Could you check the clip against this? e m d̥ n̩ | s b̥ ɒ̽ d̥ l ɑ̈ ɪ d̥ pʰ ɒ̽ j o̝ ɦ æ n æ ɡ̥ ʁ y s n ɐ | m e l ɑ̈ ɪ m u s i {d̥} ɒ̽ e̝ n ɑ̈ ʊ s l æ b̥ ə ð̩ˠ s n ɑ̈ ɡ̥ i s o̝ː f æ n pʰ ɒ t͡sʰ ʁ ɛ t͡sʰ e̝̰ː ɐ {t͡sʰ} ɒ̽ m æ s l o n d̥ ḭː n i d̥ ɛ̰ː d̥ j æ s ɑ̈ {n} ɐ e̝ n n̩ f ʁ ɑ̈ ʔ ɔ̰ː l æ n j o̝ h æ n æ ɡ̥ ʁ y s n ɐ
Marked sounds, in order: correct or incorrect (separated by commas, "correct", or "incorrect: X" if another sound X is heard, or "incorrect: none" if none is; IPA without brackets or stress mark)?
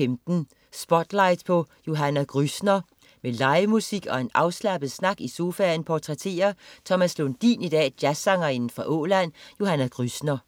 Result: incorrect: ɡ̥, correct, incorrect: ŋ